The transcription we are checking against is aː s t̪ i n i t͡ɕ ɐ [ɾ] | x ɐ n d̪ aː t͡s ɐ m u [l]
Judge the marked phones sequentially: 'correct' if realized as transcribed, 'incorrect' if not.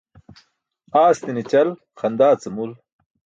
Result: incorrect, correct

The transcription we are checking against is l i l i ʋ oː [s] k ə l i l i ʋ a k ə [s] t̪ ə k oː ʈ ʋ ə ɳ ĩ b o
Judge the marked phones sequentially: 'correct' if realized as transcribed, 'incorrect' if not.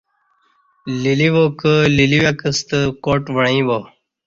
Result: incorrect, correct

